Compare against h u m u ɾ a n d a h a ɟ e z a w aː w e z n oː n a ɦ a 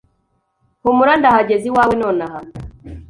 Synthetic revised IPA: h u m u ɾ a n d a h a ɟ e z i w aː w e n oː n a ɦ a